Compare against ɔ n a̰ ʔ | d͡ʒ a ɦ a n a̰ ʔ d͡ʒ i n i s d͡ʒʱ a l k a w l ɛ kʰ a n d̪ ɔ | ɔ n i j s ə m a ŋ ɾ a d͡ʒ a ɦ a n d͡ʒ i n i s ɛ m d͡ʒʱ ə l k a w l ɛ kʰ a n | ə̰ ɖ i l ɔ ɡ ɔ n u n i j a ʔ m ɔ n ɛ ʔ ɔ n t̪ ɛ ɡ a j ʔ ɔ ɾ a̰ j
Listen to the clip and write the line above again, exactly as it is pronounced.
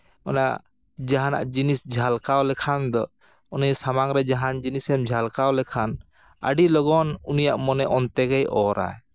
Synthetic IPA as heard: ɔ n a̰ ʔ | d͡ʒ a ɦ a n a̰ ʔ d͡ʒ i n i s d͡ʒʱ a l k a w l ɛ kʰ a n d̪ ɔ | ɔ n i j s a m a ŋ ɾ ɛ d͡ʒ a ɦ a n d͡ʒ i n i s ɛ m d͡ʒʱ a l k a w l ɛ kʰ a n | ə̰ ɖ i l ɔ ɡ ɔ n u n i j a ʔ m ɔ n ɛ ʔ ɔ n t̪ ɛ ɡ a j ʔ ɔ ɾ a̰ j

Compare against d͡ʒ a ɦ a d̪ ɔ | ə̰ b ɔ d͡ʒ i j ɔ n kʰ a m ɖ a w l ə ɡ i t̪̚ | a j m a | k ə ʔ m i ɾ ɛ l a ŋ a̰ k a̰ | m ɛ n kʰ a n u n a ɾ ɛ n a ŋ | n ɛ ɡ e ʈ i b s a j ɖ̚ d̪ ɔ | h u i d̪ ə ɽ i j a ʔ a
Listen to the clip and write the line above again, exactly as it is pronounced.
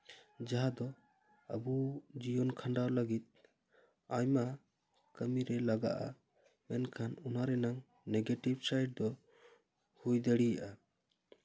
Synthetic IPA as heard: d͡ʒ a ɦ a d̪ ɔ | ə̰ b u d͡ʒ i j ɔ n kʰ a ɳ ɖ a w l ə ɡ i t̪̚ | a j m a | k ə m i ɾ ɛ l a ɡ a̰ ʔ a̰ | m ɛ n kʰ a n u n a ɾ ɛ n a ŋ | n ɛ ɡ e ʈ i b s a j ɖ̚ d̪ ɔ | h u j d̪ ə ɽ i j a ʔ a

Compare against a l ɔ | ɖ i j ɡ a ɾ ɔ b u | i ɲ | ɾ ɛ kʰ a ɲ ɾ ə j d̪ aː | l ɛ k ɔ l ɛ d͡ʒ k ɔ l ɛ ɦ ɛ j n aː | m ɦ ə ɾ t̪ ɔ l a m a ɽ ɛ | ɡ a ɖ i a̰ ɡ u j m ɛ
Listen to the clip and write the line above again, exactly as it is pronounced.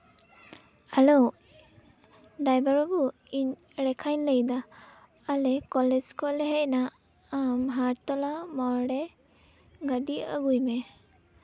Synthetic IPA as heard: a l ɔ | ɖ a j b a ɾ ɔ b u | i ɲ | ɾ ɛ kʰ a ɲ l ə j d̪ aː | l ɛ k ɔ l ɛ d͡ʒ k ɔ l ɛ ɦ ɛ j n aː | m ɦ a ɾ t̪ ɔ l a m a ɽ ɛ | ɡ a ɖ i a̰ ɡ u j m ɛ

